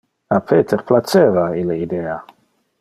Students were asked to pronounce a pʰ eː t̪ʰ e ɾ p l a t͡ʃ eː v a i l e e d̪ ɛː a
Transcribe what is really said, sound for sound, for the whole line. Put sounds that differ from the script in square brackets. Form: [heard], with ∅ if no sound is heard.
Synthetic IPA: a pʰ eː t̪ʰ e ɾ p l a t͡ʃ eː v a i l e [i] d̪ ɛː a